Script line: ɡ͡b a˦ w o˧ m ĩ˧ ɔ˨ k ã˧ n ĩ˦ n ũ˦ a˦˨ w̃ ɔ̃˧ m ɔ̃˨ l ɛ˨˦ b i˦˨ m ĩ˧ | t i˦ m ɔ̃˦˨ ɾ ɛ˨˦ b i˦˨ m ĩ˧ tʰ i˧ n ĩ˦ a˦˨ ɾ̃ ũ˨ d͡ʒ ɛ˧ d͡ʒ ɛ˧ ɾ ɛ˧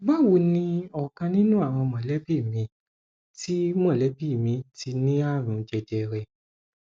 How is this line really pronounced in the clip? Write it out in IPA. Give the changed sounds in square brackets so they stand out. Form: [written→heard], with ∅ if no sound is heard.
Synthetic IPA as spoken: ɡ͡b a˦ w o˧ [m→n] ĩ˧ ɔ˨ k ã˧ n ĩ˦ n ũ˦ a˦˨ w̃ ɔ̃˧ m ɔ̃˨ l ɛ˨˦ b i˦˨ m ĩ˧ | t i˦ m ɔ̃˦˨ [ɾ→l] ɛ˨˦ b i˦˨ m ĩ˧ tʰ i˧ n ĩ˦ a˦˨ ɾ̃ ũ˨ d͡ʒ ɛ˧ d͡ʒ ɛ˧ ɾ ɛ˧